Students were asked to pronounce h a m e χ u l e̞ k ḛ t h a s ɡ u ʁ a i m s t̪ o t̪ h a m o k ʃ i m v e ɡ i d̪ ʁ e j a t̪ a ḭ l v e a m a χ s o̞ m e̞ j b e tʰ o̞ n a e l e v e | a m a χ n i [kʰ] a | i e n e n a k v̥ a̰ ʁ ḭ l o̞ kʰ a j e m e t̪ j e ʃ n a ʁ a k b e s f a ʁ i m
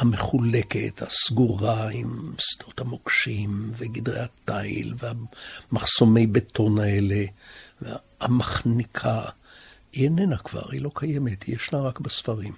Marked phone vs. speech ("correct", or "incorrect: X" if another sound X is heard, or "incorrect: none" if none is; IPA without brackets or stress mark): correct